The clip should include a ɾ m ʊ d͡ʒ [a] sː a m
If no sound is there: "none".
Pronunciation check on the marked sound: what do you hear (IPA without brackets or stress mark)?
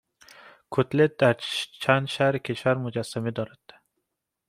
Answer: a